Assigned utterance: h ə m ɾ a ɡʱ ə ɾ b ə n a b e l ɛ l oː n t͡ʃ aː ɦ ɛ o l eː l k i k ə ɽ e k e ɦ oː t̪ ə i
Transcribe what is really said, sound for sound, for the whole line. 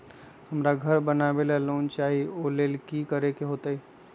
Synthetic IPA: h ə m ɾ a ɡʱ ə ɾ b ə n a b e l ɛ l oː n t͡ʃ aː ɦ i o l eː l k i k ə ɾ e k e ɦ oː t̪ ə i